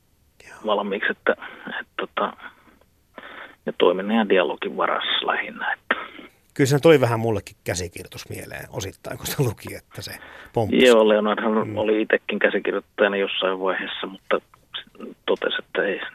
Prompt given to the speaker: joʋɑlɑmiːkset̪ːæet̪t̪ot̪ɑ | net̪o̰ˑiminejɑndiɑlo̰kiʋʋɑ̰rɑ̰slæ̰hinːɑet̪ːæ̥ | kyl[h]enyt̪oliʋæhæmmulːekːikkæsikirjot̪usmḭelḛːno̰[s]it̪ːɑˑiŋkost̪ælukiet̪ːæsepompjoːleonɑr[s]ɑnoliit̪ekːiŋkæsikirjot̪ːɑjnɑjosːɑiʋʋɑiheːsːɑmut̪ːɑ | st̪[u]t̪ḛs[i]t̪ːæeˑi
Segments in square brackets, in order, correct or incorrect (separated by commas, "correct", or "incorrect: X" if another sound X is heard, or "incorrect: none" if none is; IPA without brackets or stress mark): incorrect: s, correct, incorrect: h, incorrect: o, incorrect: e